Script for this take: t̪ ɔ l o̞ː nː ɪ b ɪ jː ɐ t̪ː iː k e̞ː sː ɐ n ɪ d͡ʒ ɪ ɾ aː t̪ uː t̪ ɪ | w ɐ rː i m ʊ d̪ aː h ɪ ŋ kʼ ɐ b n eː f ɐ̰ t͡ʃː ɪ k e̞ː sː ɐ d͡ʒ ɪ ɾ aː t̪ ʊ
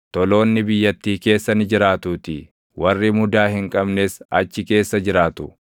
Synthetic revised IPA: t̪ ɔ l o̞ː nː ɪ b ɪ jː ɐ t̪ː iː k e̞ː sː ɐ n ɪ d͡ʒ ɪ ɾ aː t̪ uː t̪ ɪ | w ɐ rː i m ʊ d̪ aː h ɪ ŋ kʼ ɐ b n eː s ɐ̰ t͡ʃː ɪ k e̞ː sː ɐ d͡ʒ ɪ ɾ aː t̪ ʊ